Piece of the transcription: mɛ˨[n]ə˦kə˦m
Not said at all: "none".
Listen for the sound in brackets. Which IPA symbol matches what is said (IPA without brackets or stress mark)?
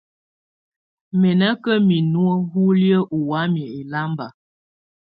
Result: n